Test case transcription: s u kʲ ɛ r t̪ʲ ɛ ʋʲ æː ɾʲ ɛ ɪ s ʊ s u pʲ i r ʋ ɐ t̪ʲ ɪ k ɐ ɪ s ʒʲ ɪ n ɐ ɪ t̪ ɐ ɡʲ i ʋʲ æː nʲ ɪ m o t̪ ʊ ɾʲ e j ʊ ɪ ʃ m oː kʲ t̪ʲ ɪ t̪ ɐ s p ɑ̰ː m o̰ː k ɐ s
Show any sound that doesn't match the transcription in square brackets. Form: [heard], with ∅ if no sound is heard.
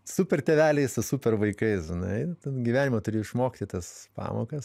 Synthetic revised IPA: s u [pʲ] ɛ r t̪ʲ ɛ ʋʲ æː [lʲ] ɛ ɪ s ʊ s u pʲ [ɛ] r ʋ ɐ [∅] ɪ k ɐ ɪ s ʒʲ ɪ n ɐ ɪ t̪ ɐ ɡʲ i ʋʲ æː nʲ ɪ m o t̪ ʊ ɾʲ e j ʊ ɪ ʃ m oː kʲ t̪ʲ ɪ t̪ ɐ s p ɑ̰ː m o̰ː k ɐ s